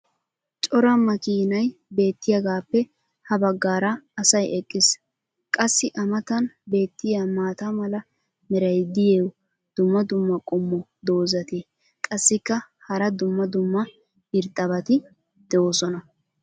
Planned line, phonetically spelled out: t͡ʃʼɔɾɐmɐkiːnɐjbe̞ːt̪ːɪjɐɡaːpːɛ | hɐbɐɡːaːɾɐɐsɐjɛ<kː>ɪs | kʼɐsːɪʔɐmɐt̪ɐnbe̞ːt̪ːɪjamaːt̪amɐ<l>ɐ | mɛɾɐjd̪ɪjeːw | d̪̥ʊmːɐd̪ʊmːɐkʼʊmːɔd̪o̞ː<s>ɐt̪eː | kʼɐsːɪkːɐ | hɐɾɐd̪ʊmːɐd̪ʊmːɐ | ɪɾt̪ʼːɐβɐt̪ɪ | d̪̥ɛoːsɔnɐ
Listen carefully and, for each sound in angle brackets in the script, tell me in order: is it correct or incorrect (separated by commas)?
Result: incorrect, correct, incorrect